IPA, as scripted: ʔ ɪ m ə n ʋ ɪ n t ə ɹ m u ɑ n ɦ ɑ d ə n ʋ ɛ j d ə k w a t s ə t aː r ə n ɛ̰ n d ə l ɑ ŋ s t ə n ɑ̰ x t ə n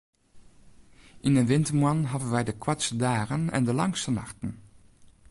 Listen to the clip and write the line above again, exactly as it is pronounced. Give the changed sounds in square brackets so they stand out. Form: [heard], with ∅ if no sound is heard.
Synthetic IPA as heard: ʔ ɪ [n] ə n ʋ ɪ n t ə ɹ m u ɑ n ɦ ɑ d ə n ʋ ɛ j d ə k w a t s ə [d] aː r ə n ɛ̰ n d ə l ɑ ŋ s t ə n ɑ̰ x t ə n